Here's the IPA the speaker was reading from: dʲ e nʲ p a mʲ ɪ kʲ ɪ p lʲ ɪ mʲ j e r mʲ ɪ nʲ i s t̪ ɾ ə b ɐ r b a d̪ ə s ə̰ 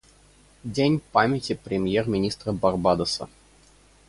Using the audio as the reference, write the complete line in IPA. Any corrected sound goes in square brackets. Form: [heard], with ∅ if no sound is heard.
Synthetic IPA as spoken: dʲ e nʲ p a mʲ ɪ [tʲ] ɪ p [ɾʲ] ɪ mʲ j e r mʲ ɪ nʲ i s t̪ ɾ ə b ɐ r b a d̪ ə s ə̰